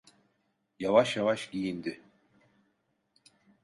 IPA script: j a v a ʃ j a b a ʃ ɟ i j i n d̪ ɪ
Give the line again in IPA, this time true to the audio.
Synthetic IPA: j a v a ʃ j a v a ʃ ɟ i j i n d̪ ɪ